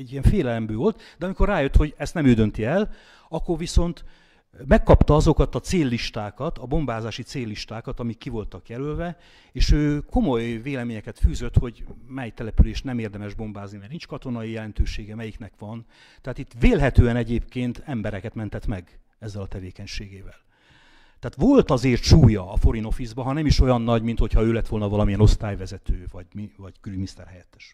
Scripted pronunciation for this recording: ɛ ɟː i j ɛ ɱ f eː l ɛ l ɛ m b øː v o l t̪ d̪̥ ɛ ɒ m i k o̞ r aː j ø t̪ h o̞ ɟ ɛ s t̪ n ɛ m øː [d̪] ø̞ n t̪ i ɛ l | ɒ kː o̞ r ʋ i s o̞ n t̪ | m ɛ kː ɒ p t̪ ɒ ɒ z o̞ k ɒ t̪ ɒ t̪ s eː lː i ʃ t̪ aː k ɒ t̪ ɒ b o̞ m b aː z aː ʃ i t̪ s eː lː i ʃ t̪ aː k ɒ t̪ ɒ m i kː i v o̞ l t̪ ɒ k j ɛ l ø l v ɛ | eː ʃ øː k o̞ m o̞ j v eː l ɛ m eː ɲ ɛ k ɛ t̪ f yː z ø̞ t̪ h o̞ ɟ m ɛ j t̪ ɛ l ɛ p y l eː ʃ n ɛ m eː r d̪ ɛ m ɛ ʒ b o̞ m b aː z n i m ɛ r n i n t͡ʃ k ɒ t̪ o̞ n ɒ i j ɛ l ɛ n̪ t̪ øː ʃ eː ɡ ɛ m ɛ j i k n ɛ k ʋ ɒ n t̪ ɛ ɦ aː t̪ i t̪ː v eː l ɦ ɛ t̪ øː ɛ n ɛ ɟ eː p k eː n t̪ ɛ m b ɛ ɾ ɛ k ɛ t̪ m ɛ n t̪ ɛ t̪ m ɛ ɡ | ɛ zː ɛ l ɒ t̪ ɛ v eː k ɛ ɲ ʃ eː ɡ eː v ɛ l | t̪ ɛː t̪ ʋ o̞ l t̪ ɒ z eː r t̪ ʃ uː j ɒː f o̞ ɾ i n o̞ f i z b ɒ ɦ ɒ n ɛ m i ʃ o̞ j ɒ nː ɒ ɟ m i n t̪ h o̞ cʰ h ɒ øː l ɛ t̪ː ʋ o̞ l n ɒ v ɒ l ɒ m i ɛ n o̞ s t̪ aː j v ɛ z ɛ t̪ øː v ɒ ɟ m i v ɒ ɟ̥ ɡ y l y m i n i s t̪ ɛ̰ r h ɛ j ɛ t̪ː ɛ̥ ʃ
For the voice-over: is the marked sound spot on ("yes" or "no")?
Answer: yes